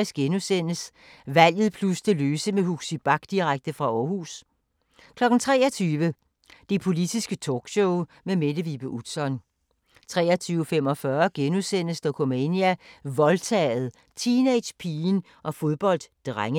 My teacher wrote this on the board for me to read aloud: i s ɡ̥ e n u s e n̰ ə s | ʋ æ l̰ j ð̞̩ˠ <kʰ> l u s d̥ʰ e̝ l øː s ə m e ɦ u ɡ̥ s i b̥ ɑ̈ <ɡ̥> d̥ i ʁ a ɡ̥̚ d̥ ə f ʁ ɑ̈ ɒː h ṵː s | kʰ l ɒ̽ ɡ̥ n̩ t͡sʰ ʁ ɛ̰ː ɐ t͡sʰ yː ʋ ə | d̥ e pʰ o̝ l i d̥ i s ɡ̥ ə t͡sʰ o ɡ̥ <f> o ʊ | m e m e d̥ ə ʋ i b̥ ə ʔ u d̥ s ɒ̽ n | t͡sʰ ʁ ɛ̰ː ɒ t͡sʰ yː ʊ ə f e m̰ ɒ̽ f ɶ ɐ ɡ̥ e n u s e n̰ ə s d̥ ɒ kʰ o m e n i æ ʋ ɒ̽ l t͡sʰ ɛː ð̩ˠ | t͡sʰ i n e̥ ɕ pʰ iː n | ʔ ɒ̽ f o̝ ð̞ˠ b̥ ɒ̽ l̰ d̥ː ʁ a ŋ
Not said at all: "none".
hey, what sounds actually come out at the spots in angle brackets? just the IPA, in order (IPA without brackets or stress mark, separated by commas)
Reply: pʰ, ɡ̥, ɕ